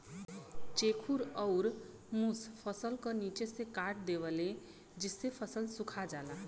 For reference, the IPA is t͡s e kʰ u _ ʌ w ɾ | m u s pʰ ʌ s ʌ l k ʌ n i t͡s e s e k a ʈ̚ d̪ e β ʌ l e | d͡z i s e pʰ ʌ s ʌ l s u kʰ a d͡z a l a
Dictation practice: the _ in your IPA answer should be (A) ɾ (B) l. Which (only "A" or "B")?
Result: A